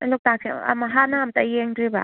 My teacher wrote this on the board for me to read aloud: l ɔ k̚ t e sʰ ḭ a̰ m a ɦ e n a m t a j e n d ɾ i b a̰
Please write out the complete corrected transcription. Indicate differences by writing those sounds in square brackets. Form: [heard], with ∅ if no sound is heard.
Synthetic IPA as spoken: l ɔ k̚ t [a] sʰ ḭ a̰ m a ɦ [a] n a m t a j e [ŋ] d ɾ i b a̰